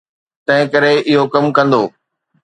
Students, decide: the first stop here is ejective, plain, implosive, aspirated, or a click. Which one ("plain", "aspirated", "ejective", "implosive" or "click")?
plain